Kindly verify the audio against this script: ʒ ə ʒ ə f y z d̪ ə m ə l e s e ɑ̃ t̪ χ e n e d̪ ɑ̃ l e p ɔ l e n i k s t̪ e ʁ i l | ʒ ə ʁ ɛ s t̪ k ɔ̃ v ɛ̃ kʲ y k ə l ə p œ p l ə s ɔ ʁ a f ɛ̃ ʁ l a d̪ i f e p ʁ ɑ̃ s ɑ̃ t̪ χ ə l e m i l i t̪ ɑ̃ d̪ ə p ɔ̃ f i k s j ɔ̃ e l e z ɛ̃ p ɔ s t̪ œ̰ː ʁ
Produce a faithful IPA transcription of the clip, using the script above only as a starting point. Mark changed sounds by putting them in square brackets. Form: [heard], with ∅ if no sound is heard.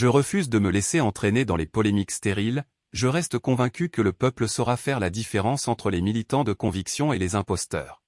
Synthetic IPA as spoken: ʒ ə [ʁ] ə f y z d̪ ə m ə l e s e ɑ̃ t̪ χ e n e d̪ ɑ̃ l e p ɔ l e [m] i k s t̪ e ʁ i l | ʒ ə ʁ ɛ s t̪ k ɔ̃ v ɛ̃ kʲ y k ə l ə p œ p l ə s ɔ ʁ a f [ɛ] ʁ l a d̪ i f e [∅] ʁ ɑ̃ s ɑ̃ t̪ χ ə l e m i l i t̪ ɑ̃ d̪ ə [k] ɔ̃ [v] i k s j ɔ̃ e l e z ɛ̃ p ɔ s t̪ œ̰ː ʁ